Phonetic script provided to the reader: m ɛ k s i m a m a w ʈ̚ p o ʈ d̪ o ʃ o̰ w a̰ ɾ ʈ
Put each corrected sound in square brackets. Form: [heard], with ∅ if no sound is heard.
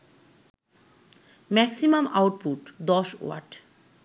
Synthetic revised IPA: m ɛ k s i m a m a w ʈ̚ p [u] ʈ d̪ [ɔ] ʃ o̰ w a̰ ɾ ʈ